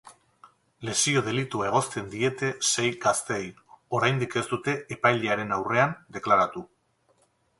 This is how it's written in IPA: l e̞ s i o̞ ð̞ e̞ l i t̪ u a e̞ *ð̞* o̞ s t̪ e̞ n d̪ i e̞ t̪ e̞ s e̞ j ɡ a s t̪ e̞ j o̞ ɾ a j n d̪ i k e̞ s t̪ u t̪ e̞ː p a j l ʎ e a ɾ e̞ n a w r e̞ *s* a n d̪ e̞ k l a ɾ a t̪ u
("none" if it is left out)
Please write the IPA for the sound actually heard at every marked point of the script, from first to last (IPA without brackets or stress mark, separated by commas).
ɣ̞, none